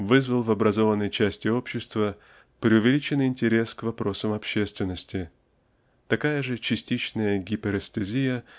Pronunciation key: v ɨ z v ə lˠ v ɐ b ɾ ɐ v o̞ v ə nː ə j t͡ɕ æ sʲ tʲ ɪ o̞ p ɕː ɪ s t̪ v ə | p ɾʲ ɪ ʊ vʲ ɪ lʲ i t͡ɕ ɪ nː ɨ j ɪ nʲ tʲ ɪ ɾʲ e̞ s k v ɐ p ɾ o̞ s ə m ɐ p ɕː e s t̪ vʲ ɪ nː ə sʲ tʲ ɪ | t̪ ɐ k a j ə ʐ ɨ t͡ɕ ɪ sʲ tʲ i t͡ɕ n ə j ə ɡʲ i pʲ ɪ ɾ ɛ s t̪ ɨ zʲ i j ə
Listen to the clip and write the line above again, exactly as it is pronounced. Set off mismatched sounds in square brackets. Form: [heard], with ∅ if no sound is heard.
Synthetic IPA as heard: v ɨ z v ə lˠ v ɐ b ɾ ɐ [z] o̞ v ə nː ə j t͡ɕ æ sʲ tʲ ɪ o̞ p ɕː ɪ s t̪ v ə | p ɾʲ ɪ ʊ vʲ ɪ lʲ i t͡ɕ ɪ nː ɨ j ɪ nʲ tʲ ɪ ɾʲ e̞ s k v ɐ p ɾ o̞ s ə m ɐ p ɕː e s t̪ vʲ ɪ nː ə sʲ tʲ ɪ | t̪ ɐ k a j ə ʐ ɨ t͡ɕ ɪ sʲ tʲ i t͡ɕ n ə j ə ɡʲ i pʲ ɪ ɾ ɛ s t̪ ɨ zʲ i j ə